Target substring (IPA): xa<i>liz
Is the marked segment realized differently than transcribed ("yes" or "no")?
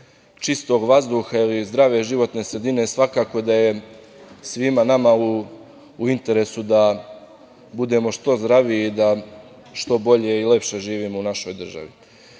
no